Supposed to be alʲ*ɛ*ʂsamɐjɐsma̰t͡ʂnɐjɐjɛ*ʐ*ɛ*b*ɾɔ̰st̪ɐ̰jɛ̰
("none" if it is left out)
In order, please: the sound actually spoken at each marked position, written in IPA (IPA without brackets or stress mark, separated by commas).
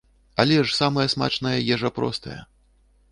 ɛ, ʐ, p